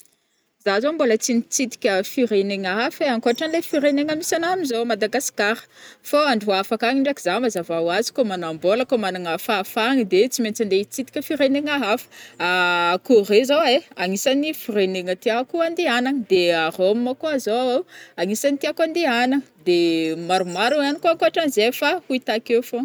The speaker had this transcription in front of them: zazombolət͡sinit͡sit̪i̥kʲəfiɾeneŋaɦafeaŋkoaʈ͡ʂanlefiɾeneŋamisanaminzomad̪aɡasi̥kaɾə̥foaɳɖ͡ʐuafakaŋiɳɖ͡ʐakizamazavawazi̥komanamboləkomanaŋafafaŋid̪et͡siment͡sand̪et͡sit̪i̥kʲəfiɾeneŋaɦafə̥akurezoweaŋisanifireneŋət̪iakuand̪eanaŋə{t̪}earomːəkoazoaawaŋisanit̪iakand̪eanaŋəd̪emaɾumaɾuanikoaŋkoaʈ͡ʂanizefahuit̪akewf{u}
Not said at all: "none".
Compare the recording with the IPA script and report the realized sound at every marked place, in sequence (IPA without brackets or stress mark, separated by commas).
d̪, o